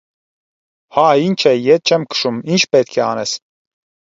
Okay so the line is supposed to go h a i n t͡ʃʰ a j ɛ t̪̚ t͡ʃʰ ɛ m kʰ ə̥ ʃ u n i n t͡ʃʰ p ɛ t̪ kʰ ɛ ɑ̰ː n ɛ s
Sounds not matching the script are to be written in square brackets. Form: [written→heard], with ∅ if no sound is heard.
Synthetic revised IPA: h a i n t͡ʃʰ [a→ɛ] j ɛ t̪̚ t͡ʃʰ ɛ m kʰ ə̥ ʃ u [n→m] i n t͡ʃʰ p ɛ t̪ kʰ ɛ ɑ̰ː n ɛ s